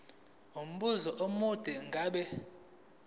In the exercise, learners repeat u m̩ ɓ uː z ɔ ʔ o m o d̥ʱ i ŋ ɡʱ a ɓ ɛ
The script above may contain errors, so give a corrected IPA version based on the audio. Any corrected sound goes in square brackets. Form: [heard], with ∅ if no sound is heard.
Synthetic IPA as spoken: u m̩ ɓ [u] z ɔ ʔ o m [u] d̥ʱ [ɛ] ŋ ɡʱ a ɓ ɛ